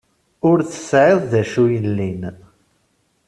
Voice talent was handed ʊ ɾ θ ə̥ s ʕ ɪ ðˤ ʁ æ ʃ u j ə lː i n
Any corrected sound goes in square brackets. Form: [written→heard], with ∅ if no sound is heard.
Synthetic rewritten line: ʊ ɾ θ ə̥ s ʕ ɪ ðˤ [ʁ→ð] æ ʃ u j ə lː i n